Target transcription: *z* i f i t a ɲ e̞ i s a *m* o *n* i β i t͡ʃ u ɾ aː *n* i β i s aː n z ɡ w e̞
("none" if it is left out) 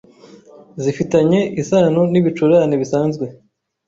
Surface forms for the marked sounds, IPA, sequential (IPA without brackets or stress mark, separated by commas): z, n, n, n